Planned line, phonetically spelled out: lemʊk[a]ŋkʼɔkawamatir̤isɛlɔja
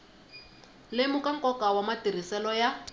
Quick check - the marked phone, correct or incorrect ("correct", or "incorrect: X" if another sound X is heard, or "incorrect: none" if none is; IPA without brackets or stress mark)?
correct